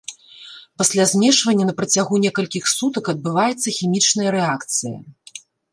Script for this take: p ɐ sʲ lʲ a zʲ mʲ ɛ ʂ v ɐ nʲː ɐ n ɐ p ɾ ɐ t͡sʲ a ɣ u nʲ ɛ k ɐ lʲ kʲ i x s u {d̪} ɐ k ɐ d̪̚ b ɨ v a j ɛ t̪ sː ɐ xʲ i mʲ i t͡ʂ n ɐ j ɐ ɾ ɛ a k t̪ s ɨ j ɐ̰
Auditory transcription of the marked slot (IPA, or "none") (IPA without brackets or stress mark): t̪